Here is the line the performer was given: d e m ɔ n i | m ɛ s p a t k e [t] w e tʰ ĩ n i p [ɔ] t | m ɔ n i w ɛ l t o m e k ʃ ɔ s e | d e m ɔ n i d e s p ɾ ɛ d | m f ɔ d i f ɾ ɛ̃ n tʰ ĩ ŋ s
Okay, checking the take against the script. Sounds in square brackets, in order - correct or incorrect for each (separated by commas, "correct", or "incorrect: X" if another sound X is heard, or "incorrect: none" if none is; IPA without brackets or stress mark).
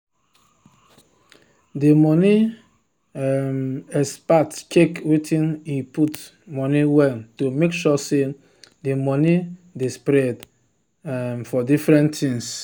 incorrect: k, incorrect: u